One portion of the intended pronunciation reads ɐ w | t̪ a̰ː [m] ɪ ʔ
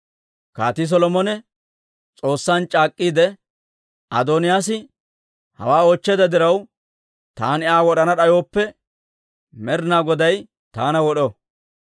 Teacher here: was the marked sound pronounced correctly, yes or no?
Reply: no